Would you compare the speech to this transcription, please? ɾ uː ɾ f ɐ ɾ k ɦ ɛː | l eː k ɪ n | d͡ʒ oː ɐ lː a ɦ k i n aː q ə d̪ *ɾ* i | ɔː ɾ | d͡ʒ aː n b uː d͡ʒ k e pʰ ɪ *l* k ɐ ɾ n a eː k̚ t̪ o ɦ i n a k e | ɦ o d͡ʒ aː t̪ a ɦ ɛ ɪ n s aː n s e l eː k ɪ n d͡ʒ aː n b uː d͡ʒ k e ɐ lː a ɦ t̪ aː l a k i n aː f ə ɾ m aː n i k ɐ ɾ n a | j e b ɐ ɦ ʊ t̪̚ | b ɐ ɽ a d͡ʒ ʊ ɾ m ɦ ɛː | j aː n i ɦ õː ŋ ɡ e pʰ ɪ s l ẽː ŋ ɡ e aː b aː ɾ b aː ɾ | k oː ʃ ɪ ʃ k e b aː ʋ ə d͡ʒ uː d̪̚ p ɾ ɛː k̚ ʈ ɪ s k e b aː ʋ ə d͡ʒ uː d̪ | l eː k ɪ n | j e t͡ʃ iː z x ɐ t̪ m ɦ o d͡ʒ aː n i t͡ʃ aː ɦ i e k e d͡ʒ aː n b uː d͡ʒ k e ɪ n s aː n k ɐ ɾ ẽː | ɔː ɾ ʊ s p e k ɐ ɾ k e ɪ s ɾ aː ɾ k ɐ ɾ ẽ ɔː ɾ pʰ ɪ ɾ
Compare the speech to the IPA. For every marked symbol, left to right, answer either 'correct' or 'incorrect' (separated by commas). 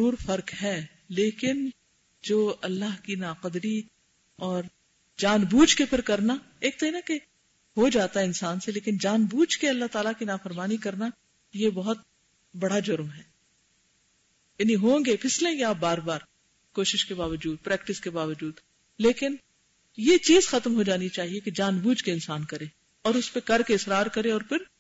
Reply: correct, incorrect